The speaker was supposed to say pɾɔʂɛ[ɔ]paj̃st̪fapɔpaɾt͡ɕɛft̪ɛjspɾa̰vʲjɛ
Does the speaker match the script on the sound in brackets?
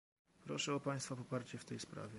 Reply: yes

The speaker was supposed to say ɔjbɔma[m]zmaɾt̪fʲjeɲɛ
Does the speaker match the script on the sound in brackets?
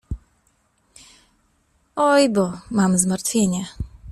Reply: yes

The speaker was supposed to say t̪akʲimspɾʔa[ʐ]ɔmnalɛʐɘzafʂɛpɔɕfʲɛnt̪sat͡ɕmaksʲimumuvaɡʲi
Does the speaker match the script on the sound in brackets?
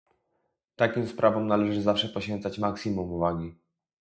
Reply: no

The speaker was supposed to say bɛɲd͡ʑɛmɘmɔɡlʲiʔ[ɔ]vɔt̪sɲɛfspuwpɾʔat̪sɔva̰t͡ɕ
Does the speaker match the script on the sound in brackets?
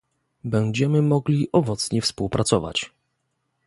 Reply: yes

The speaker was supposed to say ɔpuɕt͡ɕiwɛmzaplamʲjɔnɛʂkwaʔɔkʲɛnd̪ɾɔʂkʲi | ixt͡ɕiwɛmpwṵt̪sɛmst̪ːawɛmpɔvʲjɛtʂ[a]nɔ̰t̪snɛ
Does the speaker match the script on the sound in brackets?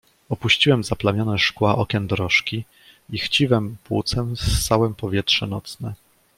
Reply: no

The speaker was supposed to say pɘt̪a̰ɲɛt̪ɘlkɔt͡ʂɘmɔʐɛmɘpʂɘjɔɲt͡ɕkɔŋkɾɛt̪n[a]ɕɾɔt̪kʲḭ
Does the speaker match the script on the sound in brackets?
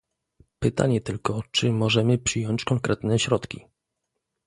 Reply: no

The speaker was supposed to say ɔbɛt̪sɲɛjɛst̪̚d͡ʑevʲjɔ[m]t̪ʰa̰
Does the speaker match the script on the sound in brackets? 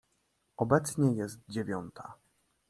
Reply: no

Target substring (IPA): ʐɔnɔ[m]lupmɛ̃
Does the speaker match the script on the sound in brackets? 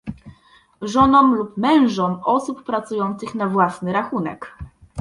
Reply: yes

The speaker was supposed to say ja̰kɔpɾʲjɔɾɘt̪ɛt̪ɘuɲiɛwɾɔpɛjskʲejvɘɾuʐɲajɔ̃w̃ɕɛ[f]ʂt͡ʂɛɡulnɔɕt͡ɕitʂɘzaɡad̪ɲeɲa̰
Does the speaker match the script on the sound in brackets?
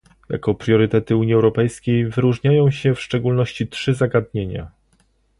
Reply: yes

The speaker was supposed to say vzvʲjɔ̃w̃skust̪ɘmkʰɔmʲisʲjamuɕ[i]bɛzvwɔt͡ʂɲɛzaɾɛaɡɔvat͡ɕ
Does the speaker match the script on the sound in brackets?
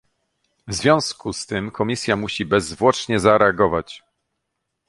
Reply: yes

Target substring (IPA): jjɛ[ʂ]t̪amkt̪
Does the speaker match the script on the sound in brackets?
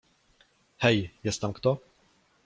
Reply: no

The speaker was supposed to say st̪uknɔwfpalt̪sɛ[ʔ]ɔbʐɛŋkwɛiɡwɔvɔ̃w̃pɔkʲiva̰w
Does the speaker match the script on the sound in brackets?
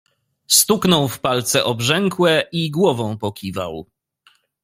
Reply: yes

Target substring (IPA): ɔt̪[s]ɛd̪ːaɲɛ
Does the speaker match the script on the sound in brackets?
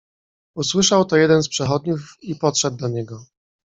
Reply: no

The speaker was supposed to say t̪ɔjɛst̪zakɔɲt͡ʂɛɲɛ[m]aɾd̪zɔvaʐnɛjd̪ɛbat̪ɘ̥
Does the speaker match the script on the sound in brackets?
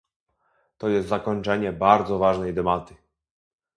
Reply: no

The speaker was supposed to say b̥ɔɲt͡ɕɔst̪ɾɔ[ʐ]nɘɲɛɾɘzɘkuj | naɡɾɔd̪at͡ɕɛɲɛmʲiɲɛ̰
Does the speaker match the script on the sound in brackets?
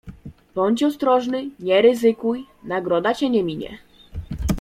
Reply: yes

